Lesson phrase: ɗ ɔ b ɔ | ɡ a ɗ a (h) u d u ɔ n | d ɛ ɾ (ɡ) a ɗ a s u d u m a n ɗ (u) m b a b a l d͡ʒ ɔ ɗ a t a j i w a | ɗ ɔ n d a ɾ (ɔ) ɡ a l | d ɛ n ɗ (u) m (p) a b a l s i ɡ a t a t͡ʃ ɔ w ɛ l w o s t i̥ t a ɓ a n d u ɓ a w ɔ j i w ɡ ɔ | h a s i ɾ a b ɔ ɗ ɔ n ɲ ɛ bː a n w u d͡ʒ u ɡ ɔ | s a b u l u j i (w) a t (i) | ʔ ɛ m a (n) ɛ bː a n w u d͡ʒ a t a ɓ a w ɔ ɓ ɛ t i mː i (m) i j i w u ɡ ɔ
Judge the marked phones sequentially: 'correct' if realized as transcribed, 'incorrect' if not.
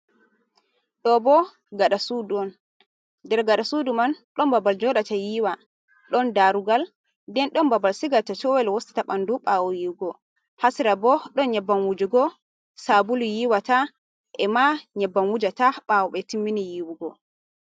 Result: incorrect, correct, incorrect, incorrect, incorrect, incorrect, correct, incorrect, incorrect, incorrect

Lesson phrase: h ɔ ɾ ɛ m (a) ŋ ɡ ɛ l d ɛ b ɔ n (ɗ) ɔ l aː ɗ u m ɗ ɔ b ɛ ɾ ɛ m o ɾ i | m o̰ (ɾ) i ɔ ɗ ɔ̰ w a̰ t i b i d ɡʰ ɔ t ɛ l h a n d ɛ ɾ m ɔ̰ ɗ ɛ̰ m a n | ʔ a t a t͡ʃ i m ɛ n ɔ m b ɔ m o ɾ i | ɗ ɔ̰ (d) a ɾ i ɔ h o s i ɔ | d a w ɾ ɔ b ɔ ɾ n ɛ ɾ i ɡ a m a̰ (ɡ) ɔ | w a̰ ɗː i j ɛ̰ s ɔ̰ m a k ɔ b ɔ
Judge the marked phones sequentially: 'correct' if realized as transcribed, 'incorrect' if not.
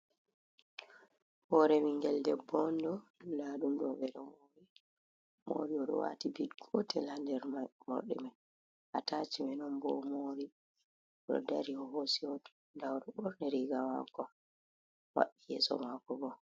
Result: incorrect, incorrect, correct, correct, incorrect

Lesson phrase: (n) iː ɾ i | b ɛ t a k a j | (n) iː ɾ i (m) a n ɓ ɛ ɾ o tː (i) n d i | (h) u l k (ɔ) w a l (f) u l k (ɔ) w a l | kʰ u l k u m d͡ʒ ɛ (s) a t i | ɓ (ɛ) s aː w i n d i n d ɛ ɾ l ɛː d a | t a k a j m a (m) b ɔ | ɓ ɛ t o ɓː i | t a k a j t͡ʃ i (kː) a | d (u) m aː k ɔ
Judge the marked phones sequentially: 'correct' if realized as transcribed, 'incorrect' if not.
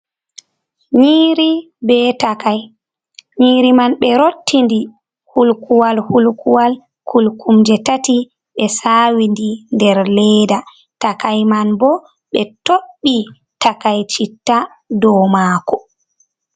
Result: incorrect, incorrect, correct, correct, correct, incorrect, incorrect, incorrect, incorrect, correct, incorrect, incorrect, incorrect

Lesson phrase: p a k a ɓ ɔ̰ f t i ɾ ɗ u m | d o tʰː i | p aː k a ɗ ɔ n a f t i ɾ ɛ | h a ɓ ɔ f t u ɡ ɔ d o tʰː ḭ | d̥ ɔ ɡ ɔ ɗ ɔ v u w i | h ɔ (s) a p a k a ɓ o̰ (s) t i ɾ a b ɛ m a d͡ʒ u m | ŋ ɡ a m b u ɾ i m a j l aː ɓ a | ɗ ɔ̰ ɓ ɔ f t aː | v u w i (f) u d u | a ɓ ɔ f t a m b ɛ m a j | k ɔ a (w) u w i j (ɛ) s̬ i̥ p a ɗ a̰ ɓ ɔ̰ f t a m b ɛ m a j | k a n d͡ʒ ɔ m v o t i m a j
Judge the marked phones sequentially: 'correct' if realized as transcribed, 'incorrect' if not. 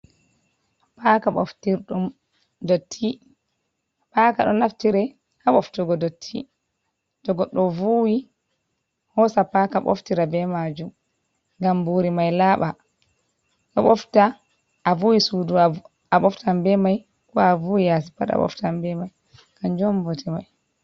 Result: correct, incorrect, incorrect, incorrect, incorrect

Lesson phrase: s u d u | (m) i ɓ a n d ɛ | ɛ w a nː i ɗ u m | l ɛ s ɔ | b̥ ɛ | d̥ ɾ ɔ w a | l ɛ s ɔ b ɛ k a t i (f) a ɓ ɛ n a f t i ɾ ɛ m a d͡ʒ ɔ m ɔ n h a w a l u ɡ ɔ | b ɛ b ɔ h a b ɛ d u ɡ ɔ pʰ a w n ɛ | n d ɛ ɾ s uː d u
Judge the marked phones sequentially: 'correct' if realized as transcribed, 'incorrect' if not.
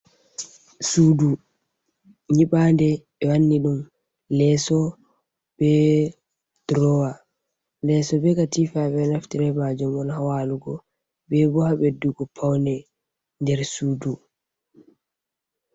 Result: incorrect, correct

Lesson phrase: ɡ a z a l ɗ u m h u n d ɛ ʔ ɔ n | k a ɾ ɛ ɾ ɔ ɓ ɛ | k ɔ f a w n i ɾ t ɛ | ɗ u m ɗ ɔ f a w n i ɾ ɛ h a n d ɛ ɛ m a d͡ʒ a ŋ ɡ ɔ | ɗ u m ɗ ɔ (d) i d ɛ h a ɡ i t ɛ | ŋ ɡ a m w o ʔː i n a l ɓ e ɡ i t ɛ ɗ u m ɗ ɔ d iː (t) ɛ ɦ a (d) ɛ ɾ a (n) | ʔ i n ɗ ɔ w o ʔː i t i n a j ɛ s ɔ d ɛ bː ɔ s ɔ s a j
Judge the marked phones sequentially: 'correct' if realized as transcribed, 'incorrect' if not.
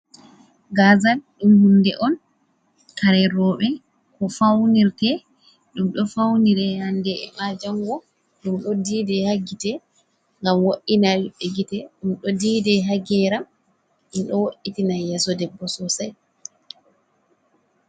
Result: correct, incorrect, incorrect, incorrect

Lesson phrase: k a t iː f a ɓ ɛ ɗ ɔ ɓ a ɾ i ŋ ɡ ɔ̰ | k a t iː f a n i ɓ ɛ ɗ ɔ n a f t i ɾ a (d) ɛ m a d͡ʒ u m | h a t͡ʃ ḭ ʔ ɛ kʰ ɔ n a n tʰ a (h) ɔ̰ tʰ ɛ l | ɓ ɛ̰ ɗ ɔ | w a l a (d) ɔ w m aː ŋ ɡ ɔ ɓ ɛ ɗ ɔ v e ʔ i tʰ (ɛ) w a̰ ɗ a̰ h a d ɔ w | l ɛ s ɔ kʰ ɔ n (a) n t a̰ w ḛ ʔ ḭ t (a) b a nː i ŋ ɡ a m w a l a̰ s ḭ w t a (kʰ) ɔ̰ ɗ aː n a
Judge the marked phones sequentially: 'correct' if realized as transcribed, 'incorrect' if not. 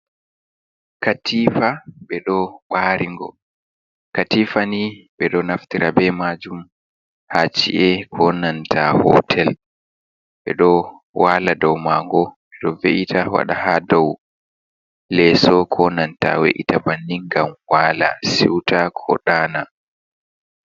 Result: incorrect, correct, correct, incorrect, correct, correct, correct

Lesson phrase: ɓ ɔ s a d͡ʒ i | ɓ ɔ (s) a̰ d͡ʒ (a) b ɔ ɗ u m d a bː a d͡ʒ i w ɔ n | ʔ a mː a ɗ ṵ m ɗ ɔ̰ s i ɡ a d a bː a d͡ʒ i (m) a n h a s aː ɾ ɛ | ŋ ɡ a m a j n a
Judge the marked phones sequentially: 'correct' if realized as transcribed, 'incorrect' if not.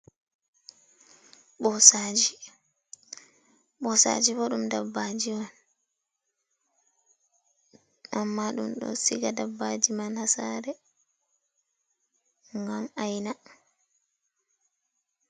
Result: correct, incorrect, correct

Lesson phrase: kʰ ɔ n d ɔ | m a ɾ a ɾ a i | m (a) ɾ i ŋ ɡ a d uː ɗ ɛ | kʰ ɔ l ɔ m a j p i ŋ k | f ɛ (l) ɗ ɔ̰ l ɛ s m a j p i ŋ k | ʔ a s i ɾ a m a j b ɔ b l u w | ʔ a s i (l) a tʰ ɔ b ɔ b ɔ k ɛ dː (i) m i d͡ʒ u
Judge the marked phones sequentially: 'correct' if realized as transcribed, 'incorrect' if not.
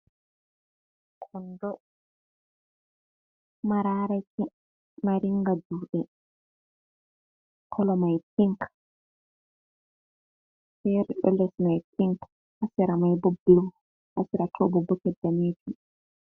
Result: correct, incorrect, incorrect, incorrect

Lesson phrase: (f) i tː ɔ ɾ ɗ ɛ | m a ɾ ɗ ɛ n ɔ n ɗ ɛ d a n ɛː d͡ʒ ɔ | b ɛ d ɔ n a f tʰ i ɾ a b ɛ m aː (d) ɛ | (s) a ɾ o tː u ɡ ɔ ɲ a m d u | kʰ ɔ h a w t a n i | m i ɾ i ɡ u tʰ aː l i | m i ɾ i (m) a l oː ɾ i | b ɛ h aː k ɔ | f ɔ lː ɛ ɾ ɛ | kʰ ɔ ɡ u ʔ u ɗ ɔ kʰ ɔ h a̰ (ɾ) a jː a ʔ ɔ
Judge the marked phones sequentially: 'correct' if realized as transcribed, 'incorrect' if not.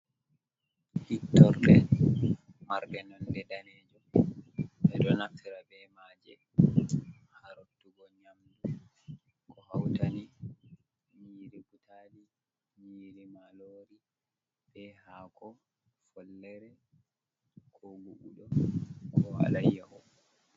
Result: incorrect, incorrect, incorrect, correct, incorrect

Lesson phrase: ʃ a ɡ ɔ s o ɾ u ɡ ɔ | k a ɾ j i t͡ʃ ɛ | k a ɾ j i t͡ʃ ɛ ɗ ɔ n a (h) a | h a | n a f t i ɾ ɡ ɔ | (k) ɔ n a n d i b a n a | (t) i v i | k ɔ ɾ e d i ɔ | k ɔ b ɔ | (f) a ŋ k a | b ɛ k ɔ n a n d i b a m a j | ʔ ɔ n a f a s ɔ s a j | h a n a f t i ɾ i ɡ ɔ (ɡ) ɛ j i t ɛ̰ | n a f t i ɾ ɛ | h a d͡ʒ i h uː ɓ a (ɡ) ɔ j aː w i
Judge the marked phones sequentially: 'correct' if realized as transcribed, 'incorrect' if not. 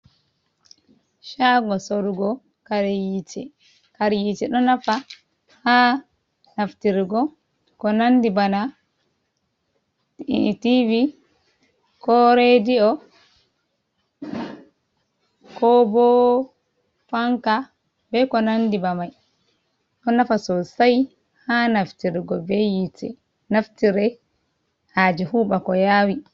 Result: incorrect, correct, correct, correct, incorrect, incorrect

